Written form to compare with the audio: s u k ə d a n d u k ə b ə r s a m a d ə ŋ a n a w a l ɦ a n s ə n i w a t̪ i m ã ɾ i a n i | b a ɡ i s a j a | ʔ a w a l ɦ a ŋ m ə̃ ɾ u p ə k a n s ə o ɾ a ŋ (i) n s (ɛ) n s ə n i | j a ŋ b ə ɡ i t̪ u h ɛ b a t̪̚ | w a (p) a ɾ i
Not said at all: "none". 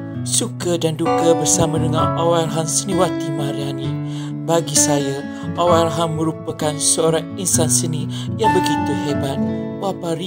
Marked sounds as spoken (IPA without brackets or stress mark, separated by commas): i, a, p